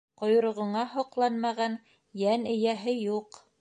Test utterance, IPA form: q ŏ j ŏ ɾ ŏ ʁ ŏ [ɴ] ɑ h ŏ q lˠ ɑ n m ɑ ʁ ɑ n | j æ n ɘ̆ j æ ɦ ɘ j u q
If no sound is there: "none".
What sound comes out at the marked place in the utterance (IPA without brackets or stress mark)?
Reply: ɴ